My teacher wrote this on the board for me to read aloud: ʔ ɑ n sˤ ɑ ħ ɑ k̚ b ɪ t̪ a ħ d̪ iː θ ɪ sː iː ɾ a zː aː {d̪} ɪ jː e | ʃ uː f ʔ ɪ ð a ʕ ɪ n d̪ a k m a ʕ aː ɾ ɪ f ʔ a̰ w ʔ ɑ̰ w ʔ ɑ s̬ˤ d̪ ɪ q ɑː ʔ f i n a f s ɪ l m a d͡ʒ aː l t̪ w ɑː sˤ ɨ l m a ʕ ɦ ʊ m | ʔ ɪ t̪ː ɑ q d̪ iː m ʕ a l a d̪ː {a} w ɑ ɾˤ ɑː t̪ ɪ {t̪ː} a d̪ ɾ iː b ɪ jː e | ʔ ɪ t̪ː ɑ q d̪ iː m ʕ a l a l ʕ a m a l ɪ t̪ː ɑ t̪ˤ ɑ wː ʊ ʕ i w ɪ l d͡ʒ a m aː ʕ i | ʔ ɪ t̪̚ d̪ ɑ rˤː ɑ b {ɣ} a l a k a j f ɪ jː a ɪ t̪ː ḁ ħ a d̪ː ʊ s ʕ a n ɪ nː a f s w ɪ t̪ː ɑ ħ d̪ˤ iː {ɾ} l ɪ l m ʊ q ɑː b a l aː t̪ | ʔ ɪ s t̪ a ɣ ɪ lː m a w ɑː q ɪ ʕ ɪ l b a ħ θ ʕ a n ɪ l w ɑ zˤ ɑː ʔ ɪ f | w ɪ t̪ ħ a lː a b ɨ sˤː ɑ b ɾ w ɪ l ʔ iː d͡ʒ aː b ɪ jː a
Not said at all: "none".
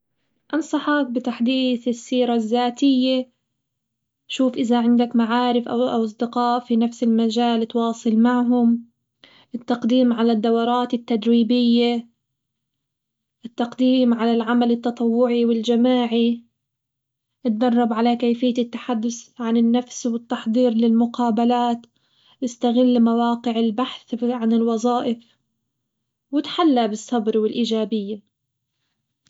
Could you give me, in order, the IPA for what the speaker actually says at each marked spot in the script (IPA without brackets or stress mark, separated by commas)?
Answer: t̪, a, t̪ː, ʕ, ɾ